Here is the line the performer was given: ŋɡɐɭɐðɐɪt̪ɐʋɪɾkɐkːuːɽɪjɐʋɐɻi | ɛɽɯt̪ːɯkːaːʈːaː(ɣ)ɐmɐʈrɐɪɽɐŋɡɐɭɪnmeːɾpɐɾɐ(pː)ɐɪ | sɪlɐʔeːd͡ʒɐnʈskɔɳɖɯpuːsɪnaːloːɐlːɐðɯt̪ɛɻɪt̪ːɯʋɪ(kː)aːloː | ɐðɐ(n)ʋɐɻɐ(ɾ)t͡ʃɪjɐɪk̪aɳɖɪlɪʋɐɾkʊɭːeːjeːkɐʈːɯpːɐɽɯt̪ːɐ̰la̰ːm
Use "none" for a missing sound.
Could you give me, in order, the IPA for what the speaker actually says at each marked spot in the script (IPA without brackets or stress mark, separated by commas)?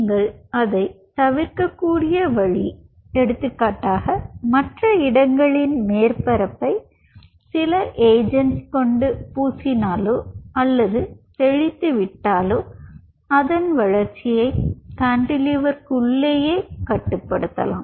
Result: ɣ, pː, ʈː, n, ɾ